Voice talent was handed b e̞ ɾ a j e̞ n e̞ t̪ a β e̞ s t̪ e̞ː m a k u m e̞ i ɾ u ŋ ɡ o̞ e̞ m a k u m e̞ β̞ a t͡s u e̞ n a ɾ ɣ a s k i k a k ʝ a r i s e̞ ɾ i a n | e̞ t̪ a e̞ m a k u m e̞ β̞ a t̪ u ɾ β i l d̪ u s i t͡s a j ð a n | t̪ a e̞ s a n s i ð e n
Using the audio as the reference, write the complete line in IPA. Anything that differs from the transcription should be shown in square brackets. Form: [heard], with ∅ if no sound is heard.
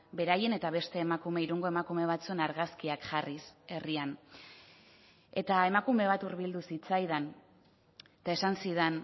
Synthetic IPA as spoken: b e̞ ɾ a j e̞ n e̞ t̪ a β e̞ s t̪ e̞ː m a k u m e̞ i ɾ u ŋ ɡ o̞ e̞ m a k u m e̞ β̞ a t͡s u e̞ n a ɾ ɣ a s k i [∅] a k ʝ a r i s e̞ [r] i a n | e̞ t̪ a e̞ m a k u m e̞ β̞ a t̪ u ɾ β i l d̪ u s i t͡s a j ð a n | t̪ a e̞ s a n s i ð e n